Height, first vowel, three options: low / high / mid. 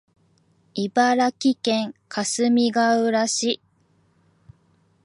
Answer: high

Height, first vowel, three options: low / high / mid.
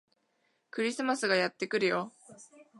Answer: high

